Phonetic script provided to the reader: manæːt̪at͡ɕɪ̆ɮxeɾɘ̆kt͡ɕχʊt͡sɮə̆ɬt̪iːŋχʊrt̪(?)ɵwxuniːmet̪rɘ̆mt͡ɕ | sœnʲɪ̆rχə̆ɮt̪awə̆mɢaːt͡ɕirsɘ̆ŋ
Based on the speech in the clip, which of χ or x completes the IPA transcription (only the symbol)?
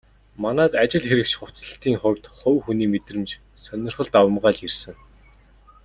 χ